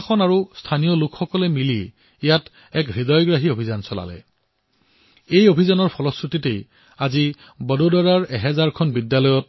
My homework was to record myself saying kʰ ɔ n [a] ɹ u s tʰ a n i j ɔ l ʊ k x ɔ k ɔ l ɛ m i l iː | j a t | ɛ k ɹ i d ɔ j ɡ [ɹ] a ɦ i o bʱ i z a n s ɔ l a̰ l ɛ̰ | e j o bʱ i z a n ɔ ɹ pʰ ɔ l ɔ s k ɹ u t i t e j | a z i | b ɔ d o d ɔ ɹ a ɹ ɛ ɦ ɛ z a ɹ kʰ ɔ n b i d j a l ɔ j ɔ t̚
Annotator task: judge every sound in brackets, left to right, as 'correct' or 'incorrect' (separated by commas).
correct, correct